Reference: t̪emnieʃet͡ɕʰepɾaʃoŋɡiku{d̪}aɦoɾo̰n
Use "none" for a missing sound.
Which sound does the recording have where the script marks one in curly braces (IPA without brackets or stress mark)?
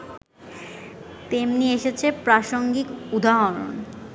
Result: d̪